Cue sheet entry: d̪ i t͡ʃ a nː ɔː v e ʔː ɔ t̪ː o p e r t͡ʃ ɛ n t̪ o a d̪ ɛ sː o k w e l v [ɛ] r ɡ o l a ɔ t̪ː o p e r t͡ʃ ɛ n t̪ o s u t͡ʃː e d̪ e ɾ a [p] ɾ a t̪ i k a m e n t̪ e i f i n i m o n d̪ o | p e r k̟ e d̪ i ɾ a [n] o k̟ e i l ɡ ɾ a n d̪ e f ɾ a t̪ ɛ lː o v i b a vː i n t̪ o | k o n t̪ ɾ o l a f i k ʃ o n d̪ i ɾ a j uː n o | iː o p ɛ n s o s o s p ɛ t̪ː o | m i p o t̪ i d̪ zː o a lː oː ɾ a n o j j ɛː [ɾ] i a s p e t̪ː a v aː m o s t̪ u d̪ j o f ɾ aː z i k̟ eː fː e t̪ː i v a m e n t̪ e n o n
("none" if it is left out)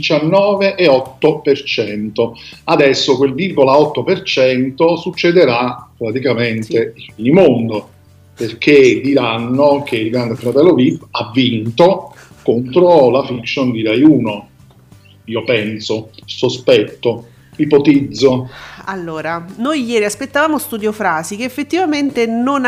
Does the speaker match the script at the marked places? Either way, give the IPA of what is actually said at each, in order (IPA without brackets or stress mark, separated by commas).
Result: i, p, nː, ɾ